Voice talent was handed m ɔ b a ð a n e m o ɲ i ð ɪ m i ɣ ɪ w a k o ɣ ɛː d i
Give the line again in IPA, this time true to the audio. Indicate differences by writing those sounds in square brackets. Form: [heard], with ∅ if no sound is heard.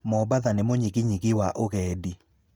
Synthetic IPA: m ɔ b a ð a n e m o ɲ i [ɣ] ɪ [ɲ] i ɣ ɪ w a [ʔ] o ɣ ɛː d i